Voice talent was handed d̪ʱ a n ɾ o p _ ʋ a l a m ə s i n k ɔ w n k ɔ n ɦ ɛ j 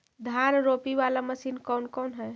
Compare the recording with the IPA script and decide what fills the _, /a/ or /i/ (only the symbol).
i